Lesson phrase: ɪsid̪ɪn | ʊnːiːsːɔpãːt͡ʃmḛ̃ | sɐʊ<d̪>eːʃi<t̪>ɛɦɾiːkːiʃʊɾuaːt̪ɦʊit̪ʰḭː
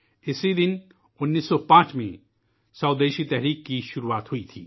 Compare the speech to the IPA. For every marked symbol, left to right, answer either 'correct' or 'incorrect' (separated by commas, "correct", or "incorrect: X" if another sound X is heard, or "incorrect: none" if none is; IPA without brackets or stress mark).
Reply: correct, correct